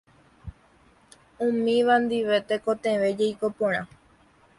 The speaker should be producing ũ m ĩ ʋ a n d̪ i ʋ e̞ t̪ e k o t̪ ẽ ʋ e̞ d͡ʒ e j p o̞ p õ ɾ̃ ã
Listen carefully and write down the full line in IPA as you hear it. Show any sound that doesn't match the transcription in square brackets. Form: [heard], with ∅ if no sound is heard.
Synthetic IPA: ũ m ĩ ʋ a n d̪ i ʋ e̞ t̪ e k o t̪ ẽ ʋ e̞ d͡ʒ e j [k] o̞ p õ ɾ̃ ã